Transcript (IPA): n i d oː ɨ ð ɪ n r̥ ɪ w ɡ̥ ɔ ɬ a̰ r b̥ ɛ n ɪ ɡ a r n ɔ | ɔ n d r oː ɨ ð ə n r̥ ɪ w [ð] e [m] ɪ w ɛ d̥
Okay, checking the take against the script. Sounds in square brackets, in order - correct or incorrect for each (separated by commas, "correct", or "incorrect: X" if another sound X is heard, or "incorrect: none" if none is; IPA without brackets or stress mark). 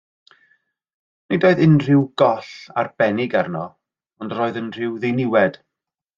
correct, incorrect: n